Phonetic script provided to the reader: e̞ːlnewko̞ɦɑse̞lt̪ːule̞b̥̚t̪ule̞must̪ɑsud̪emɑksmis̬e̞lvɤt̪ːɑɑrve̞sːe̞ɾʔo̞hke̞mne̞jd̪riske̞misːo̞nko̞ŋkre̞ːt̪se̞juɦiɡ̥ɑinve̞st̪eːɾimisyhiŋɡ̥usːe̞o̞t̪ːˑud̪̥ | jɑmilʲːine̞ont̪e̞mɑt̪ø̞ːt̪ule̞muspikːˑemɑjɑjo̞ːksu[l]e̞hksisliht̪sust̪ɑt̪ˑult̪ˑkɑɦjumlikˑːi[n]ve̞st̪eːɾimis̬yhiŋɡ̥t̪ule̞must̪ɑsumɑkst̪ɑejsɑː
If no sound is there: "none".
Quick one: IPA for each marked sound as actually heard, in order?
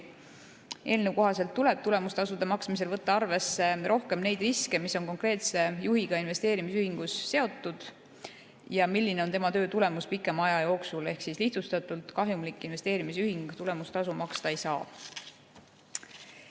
l, n

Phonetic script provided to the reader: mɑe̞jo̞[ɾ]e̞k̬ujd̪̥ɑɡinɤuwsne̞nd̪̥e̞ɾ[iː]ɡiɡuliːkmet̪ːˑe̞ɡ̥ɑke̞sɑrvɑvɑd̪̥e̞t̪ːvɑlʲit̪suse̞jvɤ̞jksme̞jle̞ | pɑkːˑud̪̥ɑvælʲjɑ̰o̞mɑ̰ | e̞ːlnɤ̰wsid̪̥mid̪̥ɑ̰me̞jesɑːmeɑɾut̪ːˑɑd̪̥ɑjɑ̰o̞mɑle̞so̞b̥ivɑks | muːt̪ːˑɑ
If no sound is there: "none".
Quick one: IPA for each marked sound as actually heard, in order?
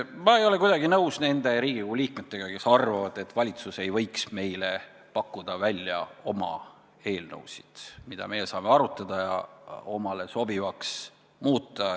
l, iː

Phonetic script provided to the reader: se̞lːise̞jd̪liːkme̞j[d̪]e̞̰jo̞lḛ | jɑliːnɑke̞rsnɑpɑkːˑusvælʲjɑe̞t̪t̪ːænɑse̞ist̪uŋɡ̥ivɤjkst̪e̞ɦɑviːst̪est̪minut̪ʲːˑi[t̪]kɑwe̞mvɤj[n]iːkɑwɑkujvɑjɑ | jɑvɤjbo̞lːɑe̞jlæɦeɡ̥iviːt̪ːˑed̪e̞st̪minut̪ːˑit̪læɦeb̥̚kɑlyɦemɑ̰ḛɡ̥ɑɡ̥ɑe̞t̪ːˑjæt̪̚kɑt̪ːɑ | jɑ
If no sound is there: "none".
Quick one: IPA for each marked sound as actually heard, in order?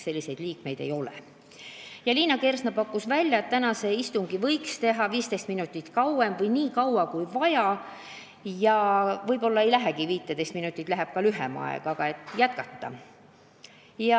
d̪, t̪, n

